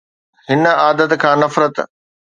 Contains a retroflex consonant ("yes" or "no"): no